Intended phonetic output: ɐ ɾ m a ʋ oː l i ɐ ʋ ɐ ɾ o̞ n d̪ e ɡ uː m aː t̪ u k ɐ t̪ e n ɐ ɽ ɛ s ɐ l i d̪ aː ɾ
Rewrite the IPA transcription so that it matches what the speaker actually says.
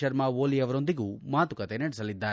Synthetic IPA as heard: ɐ ɾ m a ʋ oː l i ɐ ʋ ɐ ɾ o̞ n d̪ i ɡ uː m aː t̪ u k ɐ t̪ e n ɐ ɽ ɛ s ɐ l i d̪ː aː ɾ